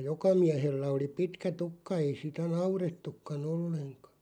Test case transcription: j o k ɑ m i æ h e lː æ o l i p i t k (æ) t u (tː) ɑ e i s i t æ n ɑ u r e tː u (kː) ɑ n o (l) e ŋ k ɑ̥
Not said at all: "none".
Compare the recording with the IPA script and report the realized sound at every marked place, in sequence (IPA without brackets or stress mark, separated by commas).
æ, kː, kː, lː